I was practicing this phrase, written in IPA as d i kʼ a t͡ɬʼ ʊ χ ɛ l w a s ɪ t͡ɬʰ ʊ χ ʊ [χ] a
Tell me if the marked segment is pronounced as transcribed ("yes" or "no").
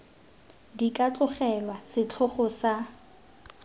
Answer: no